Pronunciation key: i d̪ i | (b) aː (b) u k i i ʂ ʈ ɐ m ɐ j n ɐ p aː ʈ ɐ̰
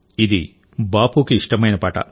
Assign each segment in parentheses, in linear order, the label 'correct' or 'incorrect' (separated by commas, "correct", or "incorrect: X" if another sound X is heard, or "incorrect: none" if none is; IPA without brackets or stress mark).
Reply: correct, incorrect: p